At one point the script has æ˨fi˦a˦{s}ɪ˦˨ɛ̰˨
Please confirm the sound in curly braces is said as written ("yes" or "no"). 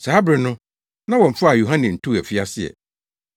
yes